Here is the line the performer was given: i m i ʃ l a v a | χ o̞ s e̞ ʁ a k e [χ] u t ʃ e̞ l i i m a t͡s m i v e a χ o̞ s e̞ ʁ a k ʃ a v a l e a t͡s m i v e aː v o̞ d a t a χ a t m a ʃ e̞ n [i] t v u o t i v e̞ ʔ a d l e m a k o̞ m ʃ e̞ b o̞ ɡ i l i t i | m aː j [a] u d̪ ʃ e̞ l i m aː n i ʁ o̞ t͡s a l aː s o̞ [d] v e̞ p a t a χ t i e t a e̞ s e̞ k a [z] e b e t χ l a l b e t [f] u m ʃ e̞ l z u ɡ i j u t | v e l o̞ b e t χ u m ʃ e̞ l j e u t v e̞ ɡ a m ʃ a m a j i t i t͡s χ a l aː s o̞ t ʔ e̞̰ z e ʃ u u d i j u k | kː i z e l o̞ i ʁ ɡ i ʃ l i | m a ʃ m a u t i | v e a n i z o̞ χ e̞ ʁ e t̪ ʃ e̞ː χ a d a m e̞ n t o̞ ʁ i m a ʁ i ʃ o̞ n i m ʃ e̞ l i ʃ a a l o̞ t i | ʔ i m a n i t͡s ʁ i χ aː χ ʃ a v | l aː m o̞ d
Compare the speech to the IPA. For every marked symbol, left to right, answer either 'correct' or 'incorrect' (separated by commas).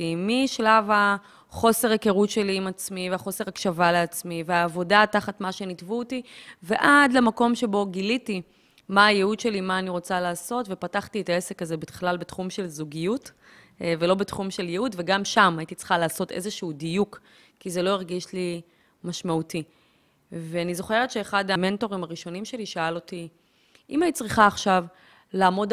incorrect, correct, incorrect, incorrect, correct, incorrect